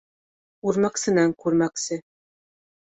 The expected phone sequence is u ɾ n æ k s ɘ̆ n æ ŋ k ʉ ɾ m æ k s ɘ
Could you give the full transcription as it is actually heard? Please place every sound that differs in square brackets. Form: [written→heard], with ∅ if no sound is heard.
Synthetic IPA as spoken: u ɾ [n→m] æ k s ɘ̆ n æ ŋ k ʉ ɾ m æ k s ɘ